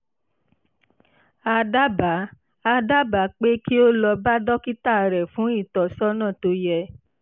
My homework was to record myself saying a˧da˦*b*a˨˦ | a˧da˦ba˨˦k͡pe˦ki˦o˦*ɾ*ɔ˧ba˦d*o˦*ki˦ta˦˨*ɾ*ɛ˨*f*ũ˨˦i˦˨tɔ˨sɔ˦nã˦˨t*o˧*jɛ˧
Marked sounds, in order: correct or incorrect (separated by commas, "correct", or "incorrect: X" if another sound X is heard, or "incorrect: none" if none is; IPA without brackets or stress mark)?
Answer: correct, incorrect: l, incorrect: ɔ˦, correct, correct, correct